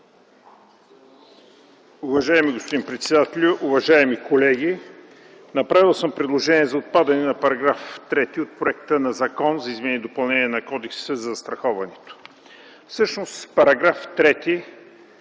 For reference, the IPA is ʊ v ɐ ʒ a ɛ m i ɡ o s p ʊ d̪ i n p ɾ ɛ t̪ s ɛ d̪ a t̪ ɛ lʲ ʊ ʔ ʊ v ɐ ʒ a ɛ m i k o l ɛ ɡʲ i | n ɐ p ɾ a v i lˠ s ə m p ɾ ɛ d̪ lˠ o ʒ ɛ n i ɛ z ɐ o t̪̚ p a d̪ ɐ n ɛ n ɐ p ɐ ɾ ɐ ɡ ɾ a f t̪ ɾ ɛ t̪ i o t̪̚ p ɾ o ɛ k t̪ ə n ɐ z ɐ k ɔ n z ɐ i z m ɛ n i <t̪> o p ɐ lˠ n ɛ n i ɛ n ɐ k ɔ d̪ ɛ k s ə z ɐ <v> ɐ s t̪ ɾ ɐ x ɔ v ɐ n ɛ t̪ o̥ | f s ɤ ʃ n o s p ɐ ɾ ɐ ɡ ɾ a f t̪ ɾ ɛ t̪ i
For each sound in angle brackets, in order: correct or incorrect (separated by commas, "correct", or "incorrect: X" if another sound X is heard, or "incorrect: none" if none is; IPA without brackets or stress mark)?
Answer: incorrect: d̪, incorrect: z